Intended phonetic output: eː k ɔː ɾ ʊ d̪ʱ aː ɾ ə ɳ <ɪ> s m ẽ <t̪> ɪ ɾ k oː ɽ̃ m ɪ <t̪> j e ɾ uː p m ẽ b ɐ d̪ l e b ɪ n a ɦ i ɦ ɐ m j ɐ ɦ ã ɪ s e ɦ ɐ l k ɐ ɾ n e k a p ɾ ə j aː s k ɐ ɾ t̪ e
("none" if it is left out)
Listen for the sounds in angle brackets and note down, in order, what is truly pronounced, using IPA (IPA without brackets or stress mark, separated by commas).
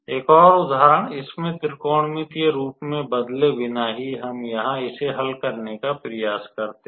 ɪ, t̪, t̪